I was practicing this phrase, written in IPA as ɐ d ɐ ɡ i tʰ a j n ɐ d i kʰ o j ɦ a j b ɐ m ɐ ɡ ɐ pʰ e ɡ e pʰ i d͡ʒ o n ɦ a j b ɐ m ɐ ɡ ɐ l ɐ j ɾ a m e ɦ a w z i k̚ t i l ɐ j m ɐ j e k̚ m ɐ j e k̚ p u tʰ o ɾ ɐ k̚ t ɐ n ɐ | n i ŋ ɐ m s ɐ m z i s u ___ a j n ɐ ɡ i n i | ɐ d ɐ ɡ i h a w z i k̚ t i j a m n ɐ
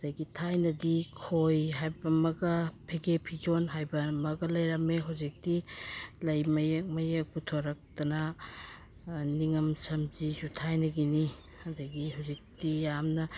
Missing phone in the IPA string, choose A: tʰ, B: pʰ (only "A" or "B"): A